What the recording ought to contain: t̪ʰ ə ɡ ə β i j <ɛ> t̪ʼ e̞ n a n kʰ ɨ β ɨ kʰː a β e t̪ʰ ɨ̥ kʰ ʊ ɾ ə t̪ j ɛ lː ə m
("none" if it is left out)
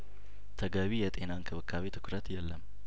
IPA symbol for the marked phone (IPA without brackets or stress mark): ɛ